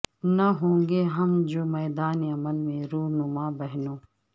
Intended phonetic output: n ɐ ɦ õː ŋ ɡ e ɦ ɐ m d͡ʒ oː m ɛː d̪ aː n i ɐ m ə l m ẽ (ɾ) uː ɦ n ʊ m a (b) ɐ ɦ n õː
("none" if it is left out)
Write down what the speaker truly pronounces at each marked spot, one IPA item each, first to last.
ɾ, b

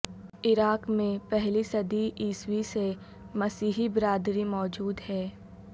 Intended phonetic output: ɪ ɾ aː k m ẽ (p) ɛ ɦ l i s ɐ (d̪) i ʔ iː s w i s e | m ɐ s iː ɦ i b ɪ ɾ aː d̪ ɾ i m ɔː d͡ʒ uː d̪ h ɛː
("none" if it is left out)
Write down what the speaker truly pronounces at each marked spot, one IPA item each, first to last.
p, d̪

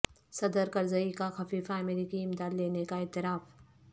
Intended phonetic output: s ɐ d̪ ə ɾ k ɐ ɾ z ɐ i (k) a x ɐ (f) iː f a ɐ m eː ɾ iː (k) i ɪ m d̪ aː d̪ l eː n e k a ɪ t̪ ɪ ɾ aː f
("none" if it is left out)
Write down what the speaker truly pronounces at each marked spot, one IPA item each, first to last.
k, f, k

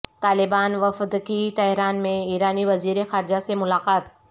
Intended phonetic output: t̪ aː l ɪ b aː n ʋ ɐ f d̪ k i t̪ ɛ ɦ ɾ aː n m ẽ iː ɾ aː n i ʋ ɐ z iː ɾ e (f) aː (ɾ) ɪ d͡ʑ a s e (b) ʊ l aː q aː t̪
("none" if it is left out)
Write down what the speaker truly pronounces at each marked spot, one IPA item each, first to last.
x, ɾ, m

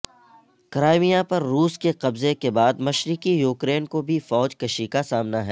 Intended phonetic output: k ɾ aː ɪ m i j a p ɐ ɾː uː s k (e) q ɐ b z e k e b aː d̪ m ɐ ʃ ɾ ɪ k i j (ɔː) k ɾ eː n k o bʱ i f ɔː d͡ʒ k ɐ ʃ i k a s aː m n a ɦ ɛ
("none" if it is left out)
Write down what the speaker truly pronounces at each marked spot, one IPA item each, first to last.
e, uː

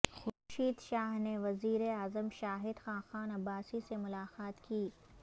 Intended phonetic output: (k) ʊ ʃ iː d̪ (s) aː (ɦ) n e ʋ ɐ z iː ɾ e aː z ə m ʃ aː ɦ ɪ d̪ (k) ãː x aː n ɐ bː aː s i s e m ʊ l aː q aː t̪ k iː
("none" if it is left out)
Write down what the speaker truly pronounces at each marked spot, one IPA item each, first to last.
x, ʃ, ɦ, x

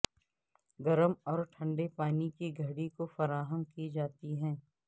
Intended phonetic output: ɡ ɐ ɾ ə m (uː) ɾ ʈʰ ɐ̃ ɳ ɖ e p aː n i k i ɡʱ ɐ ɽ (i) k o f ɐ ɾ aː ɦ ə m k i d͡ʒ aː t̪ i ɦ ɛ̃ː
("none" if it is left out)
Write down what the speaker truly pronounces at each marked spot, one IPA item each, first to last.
ɔː, i

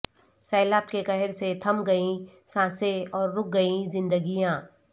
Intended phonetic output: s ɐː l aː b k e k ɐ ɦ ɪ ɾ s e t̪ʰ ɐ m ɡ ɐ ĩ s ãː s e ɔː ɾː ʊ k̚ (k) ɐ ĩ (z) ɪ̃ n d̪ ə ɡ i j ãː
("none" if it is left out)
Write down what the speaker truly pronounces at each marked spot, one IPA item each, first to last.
ɡ, z

